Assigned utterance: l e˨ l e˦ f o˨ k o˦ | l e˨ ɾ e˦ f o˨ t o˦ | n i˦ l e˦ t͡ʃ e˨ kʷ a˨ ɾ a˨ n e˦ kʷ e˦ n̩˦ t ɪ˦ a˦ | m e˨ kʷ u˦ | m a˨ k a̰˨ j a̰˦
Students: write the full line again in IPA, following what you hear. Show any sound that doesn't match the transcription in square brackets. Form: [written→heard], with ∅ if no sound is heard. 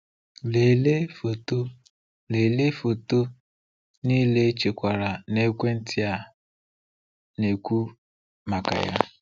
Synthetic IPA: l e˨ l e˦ f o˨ [k→t] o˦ | l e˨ [ɾ→l] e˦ f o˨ t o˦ | n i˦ l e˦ t͡ʃ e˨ kʷ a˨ ɾ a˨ n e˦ kʷ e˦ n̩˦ t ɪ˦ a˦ | [m→n] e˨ kʷ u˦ | m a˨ k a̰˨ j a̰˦